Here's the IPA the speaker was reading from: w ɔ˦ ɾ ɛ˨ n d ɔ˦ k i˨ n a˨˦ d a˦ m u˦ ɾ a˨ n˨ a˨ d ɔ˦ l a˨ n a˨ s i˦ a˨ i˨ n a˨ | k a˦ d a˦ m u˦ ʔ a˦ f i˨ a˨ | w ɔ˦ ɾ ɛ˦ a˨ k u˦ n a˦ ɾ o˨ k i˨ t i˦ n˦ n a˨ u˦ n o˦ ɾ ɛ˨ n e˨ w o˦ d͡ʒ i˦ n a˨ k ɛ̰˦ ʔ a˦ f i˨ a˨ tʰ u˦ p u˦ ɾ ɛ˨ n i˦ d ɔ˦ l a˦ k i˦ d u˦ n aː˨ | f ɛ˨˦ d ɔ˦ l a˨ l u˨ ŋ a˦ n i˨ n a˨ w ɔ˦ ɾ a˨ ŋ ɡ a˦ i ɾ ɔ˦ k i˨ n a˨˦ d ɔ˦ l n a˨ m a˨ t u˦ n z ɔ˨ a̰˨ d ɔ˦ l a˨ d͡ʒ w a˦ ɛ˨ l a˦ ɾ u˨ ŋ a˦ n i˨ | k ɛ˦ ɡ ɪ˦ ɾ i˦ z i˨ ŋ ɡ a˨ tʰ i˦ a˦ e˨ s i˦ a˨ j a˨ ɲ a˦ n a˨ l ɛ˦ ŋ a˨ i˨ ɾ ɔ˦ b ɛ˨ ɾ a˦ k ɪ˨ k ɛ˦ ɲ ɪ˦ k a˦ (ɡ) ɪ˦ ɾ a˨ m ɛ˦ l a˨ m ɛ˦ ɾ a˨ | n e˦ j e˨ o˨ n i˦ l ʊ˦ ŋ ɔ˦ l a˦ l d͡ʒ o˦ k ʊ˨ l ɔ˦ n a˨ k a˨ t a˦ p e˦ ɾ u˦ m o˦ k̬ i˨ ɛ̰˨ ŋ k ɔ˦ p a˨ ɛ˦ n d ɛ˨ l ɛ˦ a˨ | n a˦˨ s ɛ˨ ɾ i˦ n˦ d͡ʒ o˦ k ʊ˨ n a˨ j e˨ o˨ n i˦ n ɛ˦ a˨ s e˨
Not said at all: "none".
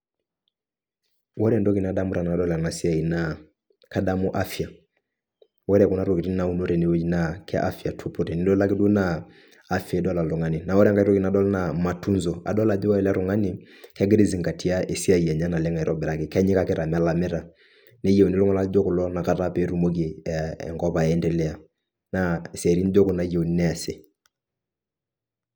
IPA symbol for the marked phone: k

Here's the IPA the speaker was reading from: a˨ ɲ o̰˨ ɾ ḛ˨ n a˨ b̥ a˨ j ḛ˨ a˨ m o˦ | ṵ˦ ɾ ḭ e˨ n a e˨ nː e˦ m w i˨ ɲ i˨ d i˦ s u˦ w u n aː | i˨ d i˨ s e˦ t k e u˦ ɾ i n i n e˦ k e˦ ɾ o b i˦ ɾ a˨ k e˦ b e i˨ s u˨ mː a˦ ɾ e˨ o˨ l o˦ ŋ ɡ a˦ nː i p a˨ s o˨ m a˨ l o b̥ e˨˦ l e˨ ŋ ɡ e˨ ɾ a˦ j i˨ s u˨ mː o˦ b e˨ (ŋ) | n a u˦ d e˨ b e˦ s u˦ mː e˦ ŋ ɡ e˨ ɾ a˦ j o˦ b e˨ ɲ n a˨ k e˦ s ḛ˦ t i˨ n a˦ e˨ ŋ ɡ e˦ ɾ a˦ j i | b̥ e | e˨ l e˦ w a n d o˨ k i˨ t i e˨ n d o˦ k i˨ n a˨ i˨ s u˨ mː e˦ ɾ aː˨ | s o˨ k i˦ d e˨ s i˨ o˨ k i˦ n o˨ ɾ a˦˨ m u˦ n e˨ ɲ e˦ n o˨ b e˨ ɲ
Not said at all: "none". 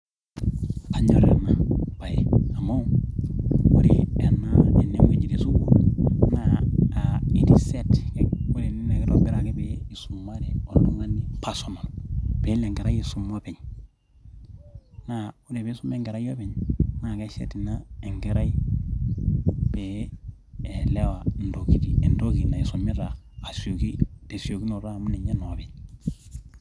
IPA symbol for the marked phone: ɲ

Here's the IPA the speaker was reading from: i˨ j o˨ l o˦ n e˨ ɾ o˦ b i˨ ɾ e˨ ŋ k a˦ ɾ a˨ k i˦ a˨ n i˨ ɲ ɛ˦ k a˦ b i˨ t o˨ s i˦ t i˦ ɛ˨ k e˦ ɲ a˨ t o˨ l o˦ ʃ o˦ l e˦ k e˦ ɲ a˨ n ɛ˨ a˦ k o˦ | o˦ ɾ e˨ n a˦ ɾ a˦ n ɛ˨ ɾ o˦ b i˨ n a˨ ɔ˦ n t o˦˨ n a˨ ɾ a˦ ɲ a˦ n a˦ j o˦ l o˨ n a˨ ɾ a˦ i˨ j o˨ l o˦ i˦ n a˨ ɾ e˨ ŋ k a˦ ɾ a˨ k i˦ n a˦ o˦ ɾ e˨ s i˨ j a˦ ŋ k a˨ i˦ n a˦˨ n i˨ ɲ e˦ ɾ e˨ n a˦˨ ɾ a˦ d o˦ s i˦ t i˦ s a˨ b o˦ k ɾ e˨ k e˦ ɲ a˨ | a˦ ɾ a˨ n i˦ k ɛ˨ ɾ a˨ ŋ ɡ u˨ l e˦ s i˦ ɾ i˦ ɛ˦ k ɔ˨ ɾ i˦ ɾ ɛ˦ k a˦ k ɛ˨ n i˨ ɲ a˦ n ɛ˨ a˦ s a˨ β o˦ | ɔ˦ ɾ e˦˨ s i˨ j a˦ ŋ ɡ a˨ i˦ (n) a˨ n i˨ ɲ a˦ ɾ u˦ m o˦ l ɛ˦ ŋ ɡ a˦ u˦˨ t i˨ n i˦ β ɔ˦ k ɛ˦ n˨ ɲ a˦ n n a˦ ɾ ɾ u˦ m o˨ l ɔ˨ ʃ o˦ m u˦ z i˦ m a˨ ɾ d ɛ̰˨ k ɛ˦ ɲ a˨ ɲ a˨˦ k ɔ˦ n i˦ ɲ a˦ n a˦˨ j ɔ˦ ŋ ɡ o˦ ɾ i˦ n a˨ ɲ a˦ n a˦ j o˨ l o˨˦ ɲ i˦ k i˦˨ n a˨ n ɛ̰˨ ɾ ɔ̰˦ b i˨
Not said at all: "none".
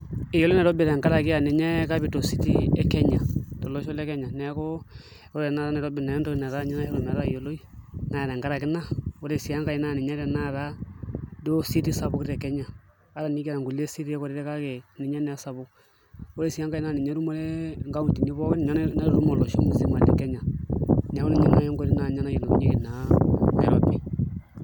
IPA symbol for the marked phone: n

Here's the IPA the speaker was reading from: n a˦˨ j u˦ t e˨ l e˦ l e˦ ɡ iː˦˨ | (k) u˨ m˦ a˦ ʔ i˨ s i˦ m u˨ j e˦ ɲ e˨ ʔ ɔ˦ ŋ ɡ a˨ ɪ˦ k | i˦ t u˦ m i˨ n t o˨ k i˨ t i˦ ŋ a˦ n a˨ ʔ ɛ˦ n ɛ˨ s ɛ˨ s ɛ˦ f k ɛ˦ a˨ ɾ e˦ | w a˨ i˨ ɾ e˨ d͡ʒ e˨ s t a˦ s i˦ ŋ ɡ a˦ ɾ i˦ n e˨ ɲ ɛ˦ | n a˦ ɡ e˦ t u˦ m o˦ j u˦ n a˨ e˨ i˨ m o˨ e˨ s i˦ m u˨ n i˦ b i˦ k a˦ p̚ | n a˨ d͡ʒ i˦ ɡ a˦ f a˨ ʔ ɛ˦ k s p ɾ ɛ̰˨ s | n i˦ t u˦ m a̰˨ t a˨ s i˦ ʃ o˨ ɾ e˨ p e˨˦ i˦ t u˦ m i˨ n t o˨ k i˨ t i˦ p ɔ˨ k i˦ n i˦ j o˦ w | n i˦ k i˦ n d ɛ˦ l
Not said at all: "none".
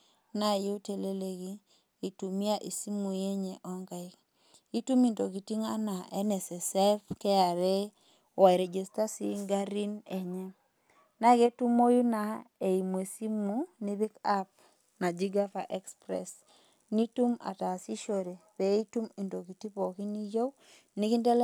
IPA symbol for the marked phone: t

